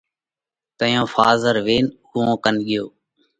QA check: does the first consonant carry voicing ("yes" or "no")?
no